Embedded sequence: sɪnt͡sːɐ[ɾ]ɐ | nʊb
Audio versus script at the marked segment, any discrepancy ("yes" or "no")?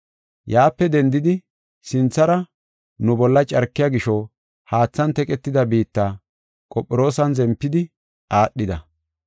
no